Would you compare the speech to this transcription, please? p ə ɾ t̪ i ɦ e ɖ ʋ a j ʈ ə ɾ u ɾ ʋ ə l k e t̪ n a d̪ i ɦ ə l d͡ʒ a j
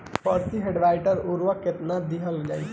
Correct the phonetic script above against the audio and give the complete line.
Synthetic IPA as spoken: p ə ɾ t̪ i ɦ e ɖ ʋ a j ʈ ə ɾ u ɾ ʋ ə k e t̪ n a d̪ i ɦ ə l d͡ʒ a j